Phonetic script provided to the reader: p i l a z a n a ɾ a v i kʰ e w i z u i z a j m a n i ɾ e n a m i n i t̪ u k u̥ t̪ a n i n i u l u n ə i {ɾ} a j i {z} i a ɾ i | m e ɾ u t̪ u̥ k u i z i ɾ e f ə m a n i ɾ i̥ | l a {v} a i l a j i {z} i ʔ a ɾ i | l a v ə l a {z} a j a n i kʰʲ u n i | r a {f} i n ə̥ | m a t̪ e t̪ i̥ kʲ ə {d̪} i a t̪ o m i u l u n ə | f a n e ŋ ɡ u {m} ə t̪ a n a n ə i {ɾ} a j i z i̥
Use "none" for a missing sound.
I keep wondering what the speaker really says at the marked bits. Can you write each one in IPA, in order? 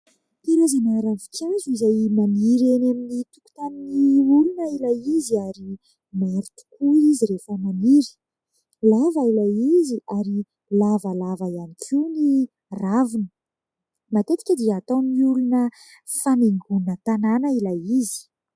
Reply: l, z, v, z, v, v, d̪, n, l

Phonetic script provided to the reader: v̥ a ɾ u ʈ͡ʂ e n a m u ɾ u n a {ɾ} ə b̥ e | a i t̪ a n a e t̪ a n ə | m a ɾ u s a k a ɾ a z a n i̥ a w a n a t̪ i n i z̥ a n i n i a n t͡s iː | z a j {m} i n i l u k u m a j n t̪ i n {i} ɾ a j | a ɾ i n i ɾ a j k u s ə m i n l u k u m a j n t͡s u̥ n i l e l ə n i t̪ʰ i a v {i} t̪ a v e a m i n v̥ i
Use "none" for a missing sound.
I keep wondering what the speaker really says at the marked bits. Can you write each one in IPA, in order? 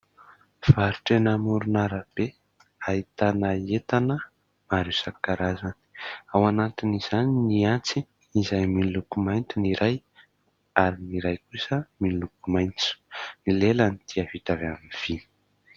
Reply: ɾ, m, i, i

